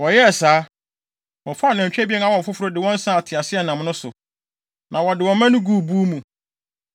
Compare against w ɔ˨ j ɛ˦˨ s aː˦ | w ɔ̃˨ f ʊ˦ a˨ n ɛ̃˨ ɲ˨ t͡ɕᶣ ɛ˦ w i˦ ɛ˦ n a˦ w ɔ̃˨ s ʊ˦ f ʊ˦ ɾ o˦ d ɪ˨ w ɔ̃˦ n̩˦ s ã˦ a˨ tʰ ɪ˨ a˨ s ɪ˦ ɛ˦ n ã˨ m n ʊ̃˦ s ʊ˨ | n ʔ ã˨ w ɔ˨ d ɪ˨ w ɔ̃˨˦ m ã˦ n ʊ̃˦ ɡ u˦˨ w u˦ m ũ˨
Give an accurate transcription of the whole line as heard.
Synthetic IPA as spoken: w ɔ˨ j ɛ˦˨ s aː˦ | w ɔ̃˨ f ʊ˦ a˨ n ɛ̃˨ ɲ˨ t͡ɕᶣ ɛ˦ b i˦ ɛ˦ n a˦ w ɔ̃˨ f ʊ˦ f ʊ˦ ɾ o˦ d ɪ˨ w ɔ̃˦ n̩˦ s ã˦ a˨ tʰ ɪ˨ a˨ s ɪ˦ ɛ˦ n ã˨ m n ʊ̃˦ s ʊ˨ | n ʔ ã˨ w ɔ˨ d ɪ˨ w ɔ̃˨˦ m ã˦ n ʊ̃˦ ɡ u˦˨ b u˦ m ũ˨